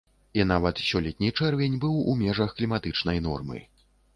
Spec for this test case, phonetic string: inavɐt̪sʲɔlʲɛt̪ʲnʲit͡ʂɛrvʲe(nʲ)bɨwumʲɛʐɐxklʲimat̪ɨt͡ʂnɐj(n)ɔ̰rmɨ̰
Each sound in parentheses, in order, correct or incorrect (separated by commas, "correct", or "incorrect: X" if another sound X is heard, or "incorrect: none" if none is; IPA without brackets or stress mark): correct, correct